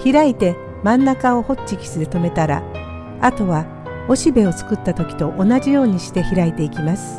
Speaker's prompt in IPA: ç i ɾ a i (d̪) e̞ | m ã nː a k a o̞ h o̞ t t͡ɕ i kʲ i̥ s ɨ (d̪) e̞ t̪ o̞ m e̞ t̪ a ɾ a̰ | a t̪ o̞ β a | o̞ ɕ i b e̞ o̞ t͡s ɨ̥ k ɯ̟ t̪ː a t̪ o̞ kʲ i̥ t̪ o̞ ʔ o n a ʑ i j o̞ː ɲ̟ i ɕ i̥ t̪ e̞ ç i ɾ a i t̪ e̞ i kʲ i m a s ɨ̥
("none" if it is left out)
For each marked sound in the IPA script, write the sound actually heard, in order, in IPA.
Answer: t̪, d̪

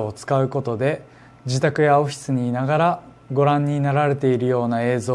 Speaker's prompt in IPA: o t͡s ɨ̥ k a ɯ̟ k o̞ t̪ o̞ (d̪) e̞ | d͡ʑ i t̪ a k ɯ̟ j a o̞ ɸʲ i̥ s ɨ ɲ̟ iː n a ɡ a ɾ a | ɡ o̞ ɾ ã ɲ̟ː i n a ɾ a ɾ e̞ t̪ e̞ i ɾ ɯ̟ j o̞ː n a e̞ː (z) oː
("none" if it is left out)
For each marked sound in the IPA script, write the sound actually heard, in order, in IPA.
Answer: d̪, z

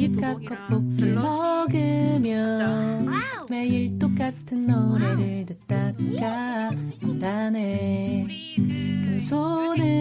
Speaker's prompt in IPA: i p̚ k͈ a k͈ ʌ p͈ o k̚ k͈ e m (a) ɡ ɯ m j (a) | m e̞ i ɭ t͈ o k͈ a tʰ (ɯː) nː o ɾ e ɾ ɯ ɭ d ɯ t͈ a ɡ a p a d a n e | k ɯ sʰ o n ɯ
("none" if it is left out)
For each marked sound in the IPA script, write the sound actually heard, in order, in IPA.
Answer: ʌ, ʌ, ɯ

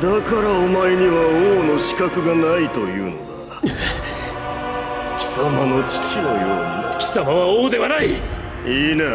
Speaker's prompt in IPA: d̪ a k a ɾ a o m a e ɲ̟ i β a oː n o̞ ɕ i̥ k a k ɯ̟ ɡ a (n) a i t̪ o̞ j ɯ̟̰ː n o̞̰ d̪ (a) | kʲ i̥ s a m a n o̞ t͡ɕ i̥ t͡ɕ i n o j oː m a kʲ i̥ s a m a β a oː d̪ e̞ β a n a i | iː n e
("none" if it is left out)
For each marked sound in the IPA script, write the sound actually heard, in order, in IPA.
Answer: n, a

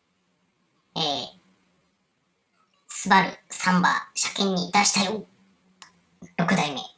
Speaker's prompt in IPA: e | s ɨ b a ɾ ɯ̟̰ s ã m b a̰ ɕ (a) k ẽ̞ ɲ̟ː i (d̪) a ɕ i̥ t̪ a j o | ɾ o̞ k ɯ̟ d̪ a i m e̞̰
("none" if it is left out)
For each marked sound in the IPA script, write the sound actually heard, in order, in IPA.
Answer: a, d̪

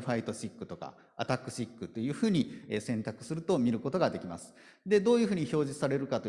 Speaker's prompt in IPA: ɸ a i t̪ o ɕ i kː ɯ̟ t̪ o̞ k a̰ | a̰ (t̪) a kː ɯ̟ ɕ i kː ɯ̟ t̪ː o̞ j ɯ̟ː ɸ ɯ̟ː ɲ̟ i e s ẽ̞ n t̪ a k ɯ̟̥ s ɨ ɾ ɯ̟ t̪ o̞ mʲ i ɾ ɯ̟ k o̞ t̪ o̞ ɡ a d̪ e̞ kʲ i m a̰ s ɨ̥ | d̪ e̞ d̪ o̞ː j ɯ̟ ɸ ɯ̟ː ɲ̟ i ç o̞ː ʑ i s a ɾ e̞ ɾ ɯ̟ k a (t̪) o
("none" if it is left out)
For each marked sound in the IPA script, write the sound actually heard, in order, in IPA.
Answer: t̪, t̪

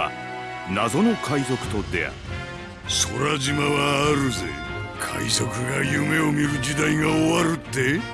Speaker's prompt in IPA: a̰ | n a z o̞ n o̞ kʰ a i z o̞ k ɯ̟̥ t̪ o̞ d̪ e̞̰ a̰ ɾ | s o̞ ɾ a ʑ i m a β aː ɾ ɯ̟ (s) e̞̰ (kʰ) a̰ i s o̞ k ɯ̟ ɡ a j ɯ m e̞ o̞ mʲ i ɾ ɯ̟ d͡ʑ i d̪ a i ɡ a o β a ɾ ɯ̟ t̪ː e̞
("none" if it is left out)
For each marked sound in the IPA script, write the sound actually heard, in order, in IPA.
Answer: z, kʰ

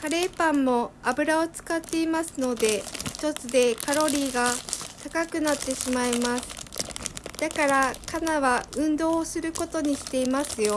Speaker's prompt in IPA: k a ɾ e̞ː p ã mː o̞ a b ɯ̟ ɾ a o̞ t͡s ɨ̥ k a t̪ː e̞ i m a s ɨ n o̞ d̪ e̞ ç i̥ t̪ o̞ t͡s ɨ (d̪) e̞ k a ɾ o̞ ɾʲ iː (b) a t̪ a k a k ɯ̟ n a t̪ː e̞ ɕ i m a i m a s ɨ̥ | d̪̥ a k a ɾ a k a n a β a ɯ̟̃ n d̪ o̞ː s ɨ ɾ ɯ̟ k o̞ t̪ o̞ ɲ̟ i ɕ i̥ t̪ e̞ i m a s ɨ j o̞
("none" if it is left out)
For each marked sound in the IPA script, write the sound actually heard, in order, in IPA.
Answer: d̪, ɡ

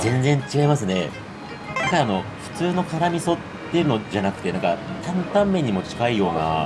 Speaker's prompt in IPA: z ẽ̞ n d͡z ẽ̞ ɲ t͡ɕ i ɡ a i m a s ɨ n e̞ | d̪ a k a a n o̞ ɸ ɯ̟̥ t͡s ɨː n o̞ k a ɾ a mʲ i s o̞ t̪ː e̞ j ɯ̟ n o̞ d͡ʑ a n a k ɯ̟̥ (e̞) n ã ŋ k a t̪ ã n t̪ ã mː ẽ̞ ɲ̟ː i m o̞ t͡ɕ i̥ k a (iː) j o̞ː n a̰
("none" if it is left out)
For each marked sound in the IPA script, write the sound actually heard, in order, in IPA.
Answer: e̞, i

